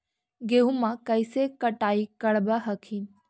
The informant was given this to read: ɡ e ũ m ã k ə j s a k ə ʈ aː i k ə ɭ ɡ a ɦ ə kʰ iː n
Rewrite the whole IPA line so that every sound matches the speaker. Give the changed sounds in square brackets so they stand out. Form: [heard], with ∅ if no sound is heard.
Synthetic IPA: ɡ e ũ m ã k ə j s [e] k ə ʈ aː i k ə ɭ [b] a ɦ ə kʰ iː n